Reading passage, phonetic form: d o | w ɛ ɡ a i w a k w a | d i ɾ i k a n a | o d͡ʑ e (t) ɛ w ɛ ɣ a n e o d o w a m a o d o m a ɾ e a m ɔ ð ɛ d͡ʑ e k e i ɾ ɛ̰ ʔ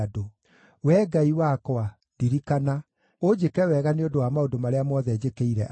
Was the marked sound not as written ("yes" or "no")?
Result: yes